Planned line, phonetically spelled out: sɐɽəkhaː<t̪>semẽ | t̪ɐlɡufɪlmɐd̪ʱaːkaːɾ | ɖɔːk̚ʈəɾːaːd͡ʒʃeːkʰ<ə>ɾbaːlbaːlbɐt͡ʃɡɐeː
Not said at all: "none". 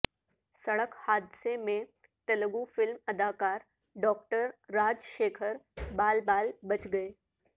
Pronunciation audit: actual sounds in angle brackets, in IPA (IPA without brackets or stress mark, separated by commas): d̪, ə